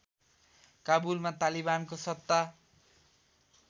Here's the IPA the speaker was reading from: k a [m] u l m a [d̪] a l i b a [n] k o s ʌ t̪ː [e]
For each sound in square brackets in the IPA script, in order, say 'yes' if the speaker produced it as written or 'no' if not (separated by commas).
no, no, yes, no